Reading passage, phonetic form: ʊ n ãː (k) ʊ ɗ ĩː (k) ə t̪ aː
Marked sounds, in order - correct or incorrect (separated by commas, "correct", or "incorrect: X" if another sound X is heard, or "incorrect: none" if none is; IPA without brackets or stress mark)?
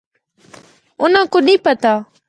correct, incorrect: p